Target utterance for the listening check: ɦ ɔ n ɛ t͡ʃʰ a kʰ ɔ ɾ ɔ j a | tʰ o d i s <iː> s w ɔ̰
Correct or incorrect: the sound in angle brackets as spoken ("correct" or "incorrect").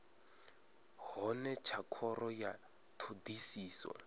correct